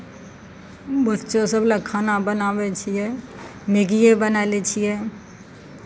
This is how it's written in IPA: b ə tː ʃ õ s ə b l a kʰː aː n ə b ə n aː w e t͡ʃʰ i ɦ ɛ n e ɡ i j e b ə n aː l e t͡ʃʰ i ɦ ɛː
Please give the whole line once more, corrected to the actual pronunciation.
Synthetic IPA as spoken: b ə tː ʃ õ s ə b l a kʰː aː n a b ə n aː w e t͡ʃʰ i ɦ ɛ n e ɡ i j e b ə n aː l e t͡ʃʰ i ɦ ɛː